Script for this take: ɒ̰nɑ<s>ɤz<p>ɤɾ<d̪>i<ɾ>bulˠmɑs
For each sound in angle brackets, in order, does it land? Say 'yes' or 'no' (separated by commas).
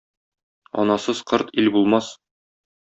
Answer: yes, no, no, no